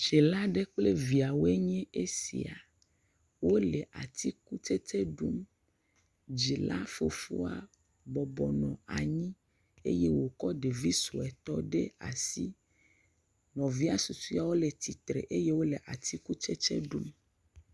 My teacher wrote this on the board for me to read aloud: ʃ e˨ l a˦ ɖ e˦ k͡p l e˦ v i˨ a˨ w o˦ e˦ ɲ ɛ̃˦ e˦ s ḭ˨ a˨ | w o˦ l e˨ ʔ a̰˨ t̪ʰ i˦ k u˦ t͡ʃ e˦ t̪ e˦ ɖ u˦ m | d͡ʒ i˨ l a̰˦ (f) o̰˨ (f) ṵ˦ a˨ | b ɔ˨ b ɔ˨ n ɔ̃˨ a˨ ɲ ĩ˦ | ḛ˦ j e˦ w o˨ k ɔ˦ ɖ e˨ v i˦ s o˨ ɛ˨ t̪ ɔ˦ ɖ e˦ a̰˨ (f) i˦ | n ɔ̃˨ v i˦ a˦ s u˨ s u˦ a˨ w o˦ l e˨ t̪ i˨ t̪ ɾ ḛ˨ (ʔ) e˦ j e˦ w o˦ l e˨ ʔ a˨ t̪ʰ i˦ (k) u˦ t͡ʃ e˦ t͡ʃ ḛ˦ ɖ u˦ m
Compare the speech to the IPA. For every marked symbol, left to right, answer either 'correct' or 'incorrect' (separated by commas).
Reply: correct, correct, incorrect, correct, correct